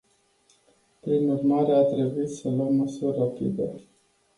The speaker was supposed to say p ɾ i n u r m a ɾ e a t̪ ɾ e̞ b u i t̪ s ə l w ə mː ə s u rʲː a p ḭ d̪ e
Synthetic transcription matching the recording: p ɾ i n u r m a ɾ e a t̪ ɾ e̞ b u i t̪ s ə l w ə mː ə s u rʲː a p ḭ d̪ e